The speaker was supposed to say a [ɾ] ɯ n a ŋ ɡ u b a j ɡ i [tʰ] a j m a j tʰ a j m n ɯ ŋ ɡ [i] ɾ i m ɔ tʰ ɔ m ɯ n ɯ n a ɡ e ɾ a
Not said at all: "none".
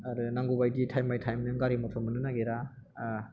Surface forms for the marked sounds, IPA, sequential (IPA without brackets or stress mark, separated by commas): ɾ, tʰ, a